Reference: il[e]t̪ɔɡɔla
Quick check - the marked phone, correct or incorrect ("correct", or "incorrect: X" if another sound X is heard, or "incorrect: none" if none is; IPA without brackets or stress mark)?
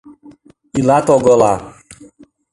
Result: incorrect: a